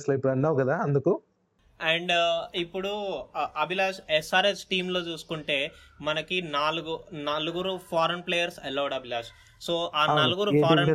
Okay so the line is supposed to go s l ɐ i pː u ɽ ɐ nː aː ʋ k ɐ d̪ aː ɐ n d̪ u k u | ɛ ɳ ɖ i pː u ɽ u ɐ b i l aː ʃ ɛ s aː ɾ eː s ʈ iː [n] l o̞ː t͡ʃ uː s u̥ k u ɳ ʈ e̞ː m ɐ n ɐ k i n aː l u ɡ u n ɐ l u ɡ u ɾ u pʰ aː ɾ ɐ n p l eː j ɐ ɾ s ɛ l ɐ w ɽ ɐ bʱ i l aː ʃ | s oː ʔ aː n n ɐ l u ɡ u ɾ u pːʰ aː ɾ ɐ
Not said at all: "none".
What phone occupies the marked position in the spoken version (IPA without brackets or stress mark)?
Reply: m